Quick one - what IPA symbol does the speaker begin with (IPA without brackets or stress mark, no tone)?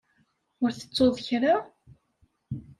ʊ